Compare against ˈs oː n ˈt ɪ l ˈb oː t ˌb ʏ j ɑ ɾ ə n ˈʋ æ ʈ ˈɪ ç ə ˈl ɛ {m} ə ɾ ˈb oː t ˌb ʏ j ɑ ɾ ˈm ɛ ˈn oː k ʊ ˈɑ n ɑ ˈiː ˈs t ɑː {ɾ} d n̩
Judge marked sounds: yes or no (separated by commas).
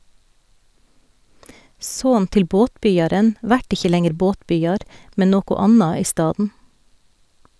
no, no